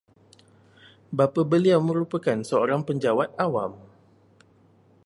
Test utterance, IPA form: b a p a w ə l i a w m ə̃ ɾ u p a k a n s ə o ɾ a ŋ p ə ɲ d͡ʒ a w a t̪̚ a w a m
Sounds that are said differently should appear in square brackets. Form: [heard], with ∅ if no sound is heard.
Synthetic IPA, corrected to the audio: b a p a [b] ə l i a w m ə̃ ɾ u p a k a n s ə o ɾ a ŋ p ə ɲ d͡ʒ a w a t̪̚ a w a m